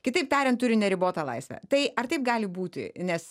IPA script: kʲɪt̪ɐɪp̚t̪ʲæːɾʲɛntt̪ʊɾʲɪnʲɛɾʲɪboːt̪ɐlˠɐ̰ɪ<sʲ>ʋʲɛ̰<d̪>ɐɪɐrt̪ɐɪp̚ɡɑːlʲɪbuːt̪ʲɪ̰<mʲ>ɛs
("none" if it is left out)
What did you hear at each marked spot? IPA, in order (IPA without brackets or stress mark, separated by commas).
sʲ, t̪, nʲ